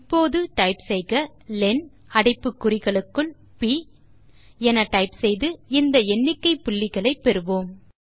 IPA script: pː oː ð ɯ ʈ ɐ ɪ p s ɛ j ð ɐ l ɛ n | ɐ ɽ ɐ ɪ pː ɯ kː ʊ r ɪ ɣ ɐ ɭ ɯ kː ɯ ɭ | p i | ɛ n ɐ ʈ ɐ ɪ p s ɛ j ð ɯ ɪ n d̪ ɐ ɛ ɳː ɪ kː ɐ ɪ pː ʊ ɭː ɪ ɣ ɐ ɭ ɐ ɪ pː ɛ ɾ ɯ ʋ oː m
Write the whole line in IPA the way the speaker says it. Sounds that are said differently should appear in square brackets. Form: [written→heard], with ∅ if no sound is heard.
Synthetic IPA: pː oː ð ɯ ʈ ɐ ɪ p s ɛ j [ð→ɣ] ɐ l ɛ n | ɐ ɽ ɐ ɪ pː ɯ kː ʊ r ɪ ɣ ɐ ɭ ɯ kː ɯ ɭ | p i | ɛ n ɐ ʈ ɐ ɪ p s ɛ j ð ɯ ɪ n d̪ ɐ ɛ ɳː ɪ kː ɐ ɪ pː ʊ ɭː ɪ ɣ ɐ ɭ ɐ ɪ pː ɛ ɾ ɯ ʋ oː m

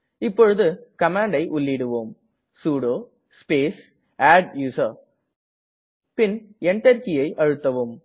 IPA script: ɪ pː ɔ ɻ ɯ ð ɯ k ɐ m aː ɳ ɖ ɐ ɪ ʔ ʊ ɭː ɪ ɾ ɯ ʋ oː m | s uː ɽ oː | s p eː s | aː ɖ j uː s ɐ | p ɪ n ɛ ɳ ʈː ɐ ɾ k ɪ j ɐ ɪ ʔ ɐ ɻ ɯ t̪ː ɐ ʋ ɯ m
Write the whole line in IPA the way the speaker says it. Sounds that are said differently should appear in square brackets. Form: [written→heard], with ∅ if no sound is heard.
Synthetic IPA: ɪ pː ɔ ɻ ɯ ð ɯ k ɐ m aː ɳ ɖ ɐ ɪ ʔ ʊ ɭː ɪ [ɾ→ɽ] ɯ ʋ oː m | s uː ɽ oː | s p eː s | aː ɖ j uː s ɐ | p ɪ n ɛ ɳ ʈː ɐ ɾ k ɪ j ɐ ɪ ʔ ɐ ɻ ɯ t̪ː ɐ ʋ ɯ m

